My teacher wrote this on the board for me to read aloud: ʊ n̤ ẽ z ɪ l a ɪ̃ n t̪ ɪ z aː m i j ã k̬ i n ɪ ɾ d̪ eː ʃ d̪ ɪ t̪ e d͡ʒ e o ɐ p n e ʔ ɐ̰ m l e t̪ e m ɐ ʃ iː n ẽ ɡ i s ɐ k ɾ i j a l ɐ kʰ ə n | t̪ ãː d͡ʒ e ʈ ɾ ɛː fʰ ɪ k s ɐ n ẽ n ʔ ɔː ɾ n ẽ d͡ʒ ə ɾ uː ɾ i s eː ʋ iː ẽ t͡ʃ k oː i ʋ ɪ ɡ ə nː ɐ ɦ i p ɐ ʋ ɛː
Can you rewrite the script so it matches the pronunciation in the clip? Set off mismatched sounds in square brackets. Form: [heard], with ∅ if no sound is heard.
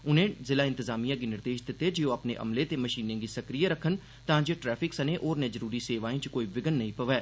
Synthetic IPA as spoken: ʊ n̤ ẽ z ɪ l a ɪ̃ n t̪ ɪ z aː m i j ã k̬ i n ɪ ɾ d̪ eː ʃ d̪ ɪ t̪ e d͡ʒ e o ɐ p n e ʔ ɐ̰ m l e t̪ e m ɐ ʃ iː n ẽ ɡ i s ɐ k ɾ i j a [ɾ] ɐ kʰ ə n | t̪ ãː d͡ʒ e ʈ ɾ ɛː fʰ ɪ k s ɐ n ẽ [∅] ʔ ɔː ɾ n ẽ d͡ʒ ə ɾ uː ɾ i s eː ʋ [aː] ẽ t͡ʃ k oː i ʋ ɪ ɡ ə nː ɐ ɦ [ĩ] p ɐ ʋ ɛː